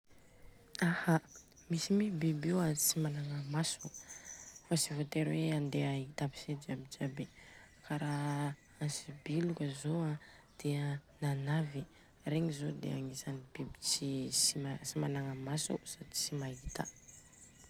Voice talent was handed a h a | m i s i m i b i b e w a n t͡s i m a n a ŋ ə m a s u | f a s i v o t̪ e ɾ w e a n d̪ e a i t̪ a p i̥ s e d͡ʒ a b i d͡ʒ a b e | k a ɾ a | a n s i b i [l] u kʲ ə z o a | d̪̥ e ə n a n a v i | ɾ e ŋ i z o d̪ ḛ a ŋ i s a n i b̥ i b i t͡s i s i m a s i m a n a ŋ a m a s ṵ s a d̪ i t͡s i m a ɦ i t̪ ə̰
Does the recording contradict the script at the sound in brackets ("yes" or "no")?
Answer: no